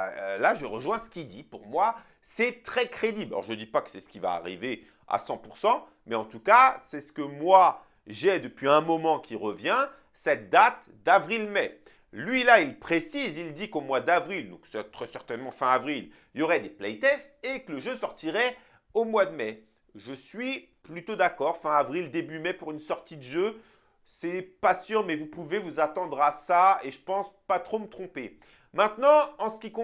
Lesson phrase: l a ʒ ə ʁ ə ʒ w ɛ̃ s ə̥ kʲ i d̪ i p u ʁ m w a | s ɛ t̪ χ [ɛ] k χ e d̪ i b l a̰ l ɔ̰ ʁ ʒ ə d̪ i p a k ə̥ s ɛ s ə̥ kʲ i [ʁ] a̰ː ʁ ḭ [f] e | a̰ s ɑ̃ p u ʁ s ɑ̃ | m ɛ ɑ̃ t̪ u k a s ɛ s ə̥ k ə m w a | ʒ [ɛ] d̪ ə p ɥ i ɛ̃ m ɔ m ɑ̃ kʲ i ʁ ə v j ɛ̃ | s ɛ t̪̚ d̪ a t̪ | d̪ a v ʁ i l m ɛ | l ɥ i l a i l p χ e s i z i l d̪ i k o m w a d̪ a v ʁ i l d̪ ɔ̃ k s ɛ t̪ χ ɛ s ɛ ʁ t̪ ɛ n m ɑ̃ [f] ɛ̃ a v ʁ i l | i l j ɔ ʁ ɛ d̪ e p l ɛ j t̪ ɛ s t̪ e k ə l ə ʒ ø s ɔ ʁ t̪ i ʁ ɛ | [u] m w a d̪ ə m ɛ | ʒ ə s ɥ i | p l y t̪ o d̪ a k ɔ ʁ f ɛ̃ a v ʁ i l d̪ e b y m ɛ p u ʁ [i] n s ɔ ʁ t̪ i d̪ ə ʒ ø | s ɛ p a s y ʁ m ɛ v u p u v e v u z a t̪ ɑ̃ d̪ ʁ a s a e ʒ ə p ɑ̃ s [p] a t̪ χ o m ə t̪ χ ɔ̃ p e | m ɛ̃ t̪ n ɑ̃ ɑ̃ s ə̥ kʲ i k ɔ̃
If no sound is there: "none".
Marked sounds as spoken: ɛ, v, v, ɛ, f, o, y, p

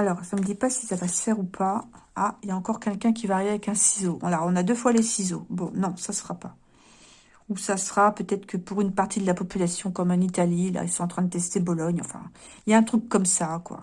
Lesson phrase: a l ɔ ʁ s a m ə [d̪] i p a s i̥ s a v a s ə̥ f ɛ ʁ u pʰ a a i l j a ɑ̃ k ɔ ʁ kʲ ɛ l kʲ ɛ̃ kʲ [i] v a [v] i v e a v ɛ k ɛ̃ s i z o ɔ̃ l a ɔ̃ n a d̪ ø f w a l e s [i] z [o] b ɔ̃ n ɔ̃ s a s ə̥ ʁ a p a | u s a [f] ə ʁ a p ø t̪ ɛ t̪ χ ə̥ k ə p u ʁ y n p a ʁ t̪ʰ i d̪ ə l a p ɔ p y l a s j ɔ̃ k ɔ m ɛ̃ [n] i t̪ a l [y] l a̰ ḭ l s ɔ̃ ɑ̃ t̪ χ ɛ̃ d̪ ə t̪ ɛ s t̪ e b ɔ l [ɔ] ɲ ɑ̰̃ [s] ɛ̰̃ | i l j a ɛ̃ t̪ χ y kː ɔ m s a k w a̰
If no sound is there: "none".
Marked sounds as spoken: d̪, i, ʁ, i, o, s, n, i, ɔ, f

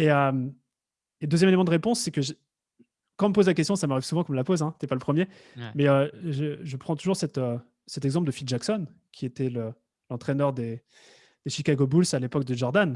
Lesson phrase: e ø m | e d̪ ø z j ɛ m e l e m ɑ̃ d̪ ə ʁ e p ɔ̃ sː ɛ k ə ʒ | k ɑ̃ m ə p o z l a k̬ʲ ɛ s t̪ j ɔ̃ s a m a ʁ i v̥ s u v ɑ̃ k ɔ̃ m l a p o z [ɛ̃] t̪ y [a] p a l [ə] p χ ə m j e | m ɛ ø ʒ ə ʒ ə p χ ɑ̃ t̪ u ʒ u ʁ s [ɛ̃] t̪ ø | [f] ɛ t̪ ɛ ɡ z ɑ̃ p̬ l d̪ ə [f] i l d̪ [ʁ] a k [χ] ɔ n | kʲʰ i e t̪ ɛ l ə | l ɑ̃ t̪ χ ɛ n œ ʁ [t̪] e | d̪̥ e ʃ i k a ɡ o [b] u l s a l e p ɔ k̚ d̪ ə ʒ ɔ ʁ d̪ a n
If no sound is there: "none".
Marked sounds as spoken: ɛ̃, ɛ, ə, ɛ, s, f, ʒ, s, d̪, b

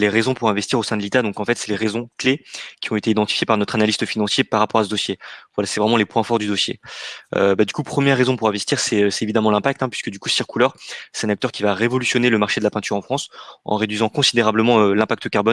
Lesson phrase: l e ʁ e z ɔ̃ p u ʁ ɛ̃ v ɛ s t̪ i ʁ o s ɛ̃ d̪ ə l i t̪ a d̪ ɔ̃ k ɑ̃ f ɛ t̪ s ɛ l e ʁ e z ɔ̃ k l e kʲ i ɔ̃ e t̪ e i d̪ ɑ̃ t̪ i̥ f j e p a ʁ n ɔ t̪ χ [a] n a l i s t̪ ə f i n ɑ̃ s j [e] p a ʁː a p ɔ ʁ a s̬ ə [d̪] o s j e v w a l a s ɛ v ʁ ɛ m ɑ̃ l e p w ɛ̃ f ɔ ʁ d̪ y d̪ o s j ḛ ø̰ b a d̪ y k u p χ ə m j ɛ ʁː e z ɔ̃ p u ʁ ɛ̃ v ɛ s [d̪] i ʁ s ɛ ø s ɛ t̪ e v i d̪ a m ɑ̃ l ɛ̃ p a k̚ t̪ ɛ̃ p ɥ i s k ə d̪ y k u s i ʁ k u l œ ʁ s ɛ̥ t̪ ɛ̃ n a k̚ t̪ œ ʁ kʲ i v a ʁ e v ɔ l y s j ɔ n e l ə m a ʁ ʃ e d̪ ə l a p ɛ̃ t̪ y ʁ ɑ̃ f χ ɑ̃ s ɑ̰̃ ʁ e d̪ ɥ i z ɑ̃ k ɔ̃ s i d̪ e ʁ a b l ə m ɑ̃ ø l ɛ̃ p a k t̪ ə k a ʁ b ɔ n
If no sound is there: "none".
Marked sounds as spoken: a, e, d̪, t̪

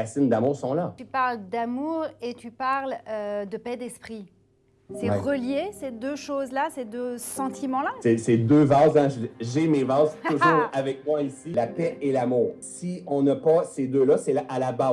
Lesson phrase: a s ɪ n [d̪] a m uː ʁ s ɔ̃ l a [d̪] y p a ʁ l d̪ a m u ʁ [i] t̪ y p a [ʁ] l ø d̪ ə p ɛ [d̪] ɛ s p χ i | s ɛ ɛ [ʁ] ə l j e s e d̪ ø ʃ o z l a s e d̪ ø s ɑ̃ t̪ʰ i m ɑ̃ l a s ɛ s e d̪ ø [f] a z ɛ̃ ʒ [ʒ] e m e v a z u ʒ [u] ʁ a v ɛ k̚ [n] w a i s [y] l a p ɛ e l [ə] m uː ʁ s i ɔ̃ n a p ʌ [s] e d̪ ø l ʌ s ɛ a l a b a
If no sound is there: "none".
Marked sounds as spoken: d̪, t̪, e, ʁ, d̪, ʁ, v, ʒ, uː, m, i, a, s

